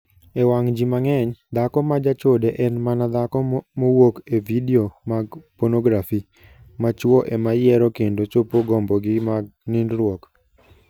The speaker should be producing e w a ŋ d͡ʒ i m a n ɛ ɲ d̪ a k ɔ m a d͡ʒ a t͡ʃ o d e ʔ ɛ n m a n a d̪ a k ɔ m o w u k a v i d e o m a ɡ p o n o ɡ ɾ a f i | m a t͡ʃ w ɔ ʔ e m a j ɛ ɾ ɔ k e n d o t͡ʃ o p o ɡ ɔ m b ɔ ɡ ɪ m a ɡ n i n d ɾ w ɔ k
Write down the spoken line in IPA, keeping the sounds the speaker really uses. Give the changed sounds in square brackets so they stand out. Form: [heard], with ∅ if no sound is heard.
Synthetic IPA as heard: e w a ŋ d͡ʒ i m a [ŋ] ɛ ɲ d̪ a k ɔ m a d͡ʒ a t͡ʃ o d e ʔ ɛ n m a n a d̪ a k ɔ m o w [o] k [e] v i d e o m a ɡ p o n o ɡ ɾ a f i | m a t͡ʃ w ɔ ʔ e m a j ɛ ɾ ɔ k e n d o t͡ʃ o p o ɡ ɔ m b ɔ ɡ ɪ m a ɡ n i n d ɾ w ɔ k